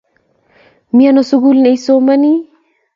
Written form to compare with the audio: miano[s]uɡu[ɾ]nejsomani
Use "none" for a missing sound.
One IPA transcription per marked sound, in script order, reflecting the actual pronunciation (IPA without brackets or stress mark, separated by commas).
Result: s, l